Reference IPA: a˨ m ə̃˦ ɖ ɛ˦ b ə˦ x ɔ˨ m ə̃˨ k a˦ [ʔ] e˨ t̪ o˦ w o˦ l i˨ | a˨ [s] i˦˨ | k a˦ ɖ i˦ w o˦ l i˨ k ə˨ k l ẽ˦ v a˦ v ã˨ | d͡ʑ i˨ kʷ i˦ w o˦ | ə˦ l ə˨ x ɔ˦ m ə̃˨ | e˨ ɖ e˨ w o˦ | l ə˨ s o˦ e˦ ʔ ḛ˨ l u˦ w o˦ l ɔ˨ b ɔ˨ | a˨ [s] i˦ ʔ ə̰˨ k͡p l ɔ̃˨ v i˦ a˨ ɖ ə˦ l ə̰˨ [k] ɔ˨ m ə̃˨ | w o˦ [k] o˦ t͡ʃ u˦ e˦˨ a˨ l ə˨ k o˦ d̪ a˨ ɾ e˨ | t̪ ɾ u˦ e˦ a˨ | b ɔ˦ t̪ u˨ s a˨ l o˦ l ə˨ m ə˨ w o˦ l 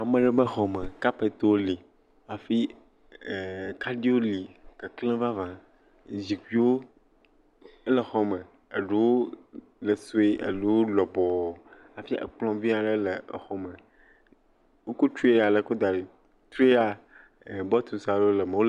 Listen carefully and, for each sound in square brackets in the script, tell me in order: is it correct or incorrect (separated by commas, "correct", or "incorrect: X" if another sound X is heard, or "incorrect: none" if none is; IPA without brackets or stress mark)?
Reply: incorrect: p, incorrect: f, incorrect: f, incorrect: x, correct